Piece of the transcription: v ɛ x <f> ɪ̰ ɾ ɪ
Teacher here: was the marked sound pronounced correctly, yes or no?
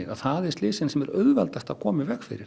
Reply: yes